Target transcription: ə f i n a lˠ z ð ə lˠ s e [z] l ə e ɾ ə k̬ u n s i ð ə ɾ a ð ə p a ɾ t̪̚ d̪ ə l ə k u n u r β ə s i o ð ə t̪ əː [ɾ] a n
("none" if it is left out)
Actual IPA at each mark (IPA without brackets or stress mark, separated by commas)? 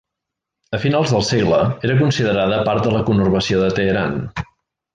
ɣ, ɾ